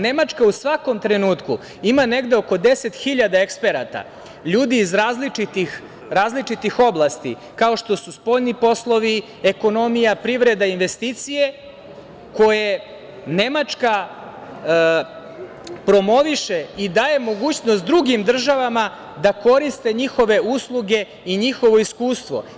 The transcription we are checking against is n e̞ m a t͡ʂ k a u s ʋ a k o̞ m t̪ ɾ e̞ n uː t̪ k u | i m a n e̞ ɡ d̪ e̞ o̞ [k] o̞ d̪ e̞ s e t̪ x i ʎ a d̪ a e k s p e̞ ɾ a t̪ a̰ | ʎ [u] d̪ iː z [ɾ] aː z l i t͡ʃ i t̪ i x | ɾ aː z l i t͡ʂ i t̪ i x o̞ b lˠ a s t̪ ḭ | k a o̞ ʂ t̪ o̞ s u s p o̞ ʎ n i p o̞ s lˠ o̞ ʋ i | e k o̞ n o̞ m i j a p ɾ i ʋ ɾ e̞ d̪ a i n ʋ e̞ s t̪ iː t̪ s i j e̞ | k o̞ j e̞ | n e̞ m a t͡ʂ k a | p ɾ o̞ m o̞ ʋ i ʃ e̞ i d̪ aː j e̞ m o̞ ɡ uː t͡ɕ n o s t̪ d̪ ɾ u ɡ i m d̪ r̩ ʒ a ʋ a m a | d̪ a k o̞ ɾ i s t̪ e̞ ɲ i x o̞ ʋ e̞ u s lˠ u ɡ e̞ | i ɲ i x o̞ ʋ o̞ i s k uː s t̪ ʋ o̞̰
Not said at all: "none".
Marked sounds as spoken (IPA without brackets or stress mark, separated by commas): k, uː, ɾ